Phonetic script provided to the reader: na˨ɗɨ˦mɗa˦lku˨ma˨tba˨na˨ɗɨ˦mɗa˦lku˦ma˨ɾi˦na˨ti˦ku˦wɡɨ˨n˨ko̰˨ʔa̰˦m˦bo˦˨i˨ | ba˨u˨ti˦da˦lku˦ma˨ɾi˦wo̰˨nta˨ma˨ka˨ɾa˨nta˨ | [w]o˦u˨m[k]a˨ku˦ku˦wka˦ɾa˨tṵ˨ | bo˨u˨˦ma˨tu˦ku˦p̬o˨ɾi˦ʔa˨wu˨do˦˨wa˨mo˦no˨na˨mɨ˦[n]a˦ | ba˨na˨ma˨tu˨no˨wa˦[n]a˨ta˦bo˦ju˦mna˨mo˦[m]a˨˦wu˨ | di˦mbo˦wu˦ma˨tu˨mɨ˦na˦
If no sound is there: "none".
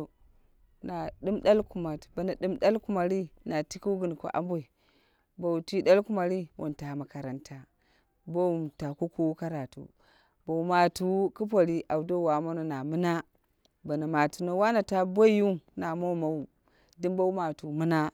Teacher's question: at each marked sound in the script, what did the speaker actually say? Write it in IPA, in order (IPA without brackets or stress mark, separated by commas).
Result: b, t, n, n, m